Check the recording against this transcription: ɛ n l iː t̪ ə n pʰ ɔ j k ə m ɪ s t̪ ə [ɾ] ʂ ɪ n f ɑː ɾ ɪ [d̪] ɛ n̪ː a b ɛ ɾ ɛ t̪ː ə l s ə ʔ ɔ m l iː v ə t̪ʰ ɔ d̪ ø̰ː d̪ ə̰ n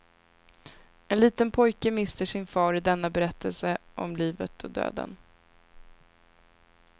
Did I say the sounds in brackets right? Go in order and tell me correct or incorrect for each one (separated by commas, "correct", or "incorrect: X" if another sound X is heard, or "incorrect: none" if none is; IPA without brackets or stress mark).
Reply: incorrect: none, correct